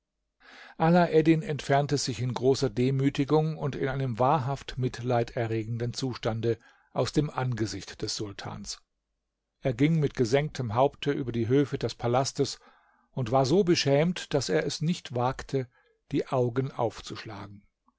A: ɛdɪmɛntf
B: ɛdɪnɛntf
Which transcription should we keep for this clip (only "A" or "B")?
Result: B